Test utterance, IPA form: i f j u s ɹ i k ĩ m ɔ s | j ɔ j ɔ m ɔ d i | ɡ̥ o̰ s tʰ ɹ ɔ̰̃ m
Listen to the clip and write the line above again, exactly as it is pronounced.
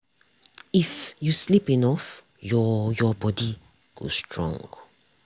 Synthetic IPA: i f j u s l i p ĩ n ɔ f | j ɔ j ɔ b ɔ d i | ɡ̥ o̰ s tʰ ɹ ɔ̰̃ ŋ